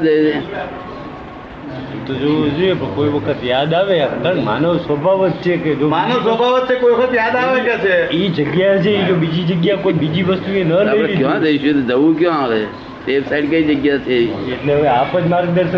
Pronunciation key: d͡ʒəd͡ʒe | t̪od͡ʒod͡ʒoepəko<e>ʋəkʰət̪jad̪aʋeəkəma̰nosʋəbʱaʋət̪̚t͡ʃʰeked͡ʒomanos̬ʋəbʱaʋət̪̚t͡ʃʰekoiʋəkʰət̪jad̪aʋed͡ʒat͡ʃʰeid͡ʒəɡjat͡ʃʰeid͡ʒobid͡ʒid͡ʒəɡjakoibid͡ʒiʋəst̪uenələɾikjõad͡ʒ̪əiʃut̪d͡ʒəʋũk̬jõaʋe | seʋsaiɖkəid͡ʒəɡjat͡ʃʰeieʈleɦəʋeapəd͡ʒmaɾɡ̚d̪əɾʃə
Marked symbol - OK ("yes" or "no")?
no